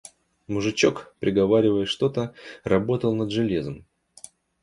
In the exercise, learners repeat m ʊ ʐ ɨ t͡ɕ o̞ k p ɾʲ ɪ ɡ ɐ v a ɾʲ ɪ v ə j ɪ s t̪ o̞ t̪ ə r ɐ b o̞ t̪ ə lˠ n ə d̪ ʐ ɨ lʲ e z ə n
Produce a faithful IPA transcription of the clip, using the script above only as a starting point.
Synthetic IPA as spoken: m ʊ ʐ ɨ t͡ɕ o̞ k p ɾʲ ɪ ɡ ɐ v a ɾʲ ɪ v ə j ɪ ʂ t̪ o̞ t̪ ə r ɐ b o̞ t̪ ə lˠ n ə d̪ ʐ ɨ lʲ e z ə m